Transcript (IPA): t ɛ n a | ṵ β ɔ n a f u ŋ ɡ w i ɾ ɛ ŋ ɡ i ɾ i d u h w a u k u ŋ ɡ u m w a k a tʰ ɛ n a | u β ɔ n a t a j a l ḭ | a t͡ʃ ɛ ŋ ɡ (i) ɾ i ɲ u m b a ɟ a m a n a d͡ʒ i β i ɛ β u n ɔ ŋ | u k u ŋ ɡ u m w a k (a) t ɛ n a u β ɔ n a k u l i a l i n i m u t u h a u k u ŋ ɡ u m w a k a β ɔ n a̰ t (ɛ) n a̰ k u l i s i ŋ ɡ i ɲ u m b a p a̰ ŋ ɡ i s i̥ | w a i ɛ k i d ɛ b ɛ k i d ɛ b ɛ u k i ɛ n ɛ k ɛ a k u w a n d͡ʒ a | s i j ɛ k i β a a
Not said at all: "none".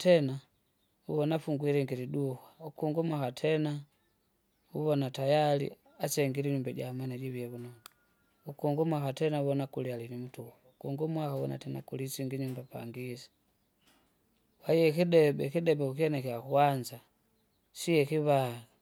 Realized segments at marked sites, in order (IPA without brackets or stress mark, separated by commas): i, a, ɛ